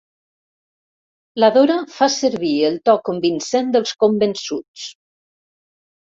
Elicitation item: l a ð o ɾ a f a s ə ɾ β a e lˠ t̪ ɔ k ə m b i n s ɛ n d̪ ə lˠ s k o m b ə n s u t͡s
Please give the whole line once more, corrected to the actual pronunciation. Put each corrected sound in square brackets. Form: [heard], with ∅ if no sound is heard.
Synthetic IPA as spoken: l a ð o ɾ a f a s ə ɾ β [i] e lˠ t̪ ɔ k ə m b i n s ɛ n d̪ ə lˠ s k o m b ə n s u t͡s